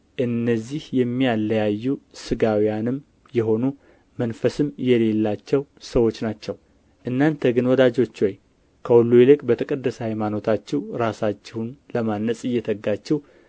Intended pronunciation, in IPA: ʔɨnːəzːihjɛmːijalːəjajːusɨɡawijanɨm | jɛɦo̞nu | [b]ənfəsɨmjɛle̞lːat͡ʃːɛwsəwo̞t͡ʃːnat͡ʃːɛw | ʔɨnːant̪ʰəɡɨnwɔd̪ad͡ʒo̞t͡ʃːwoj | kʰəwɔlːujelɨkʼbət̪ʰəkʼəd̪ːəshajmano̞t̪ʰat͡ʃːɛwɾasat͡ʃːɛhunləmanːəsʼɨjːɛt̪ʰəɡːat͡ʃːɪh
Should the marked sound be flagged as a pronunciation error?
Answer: yes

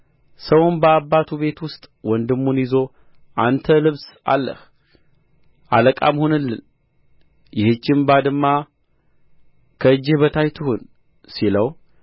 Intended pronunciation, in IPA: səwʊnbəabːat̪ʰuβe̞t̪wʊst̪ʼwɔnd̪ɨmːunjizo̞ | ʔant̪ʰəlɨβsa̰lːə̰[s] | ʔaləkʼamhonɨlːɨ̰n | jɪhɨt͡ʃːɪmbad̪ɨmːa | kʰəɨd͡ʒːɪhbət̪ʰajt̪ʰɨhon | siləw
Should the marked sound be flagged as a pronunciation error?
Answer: yes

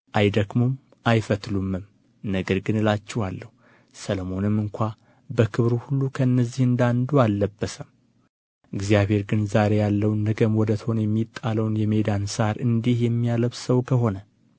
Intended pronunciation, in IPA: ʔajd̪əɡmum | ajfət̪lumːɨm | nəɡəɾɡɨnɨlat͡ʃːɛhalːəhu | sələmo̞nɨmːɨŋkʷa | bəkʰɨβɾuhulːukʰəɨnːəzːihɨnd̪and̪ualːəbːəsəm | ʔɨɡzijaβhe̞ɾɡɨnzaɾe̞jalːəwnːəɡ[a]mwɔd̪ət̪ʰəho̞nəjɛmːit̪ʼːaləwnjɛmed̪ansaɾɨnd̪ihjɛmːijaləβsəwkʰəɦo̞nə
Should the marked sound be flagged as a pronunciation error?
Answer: yes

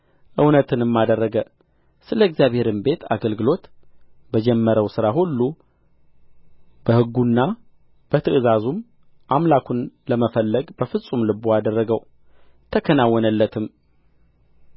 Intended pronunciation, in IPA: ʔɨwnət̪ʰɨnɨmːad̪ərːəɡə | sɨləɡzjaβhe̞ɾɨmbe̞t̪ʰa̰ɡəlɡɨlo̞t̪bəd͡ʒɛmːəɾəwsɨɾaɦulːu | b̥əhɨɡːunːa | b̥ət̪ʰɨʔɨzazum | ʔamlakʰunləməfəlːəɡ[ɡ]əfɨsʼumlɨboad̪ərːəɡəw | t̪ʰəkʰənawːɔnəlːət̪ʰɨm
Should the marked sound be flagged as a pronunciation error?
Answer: yes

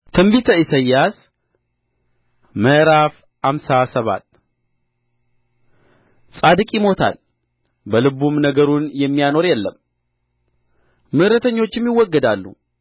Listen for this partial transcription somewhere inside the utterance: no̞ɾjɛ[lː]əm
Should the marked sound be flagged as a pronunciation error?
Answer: no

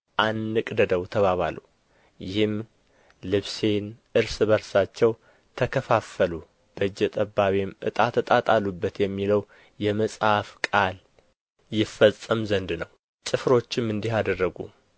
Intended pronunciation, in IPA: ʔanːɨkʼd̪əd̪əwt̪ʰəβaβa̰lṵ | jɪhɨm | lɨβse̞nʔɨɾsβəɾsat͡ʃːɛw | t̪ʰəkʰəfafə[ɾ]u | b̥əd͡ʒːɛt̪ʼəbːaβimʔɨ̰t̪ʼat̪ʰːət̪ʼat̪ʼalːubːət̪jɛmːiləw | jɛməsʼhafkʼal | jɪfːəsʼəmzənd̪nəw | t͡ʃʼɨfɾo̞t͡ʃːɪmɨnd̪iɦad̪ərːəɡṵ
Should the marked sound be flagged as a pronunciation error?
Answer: yes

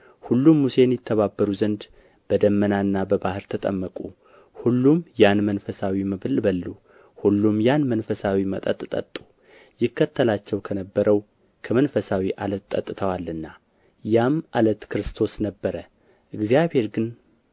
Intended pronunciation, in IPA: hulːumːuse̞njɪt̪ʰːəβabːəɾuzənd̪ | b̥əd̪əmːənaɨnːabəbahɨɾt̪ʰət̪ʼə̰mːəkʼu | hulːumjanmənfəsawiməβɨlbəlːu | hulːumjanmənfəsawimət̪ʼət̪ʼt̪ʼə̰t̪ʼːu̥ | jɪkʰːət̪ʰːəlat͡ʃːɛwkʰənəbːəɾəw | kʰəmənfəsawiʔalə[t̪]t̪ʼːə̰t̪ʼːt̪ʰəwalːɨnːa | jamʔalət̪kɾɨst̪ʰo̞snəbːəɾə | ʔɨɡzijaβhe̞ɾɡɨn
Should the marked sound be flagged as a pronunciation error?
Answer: no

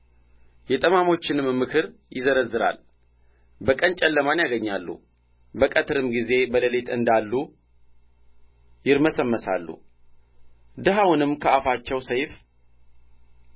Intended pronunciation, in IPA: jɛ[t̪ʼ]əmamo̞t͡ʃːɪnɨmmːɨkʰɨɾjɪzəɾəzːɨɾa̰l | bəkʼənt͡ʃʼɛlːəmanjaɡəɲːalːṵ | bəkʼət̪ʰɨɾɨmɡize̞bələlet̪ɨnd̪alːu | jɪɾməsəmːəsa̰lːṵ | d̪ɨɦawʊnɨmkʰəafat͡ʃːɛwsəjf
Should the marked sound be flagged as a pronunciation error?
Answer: no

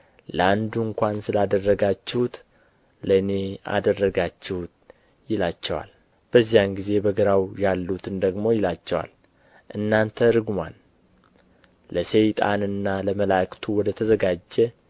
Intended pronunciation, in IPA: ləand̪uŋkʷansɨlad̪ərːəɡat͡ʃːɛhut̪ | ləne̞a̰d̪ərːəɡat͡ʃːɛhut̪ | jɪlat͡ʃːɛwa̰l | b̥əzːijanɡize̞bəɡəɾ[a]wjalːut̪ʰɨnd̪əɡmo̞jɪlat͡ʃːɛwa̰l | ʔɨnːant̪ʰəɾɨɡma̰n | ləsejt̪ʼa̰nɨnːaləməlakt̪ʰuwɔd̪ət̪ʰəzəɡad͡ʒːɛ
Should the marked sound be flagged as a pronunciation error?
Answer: no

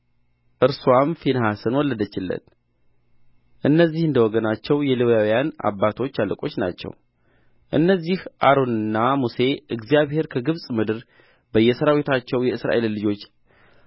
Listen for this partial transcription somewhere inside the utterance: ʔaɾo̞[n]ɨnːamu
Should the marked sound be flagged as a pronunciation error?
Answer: no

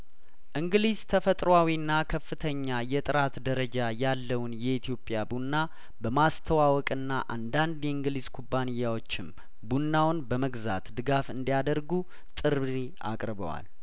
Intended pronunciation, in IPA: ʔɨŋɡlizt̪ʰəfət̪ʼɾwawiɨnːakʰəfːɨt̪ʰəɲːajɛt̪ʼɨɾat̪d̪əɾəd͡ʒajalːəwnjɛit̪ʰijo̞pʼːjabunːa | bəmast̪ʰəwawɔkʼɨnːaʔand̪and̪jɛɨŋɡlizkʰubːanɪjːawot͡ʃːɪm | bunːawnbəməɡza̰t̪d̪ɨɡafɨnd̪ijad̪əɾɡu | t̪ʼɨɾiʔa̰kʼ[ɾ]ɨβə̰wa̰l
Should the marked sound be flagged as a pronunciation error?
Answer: no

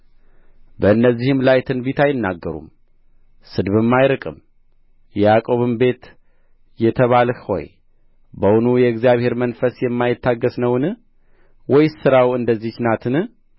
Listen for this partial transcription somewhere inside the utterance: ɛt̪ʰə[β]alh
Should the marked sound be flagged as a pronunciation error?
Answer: no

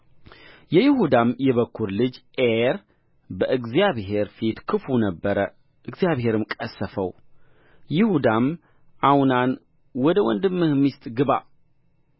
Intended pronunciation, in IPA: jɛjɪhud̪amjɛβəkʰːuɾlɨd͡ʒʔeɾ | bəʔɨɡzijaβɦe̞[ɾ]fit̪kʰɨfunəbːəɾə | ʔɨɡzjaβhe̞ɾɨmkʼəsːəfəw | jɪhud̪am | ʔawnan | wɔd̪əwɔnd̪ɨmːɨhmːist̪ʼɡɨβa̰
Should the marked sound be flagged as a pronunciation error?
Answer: no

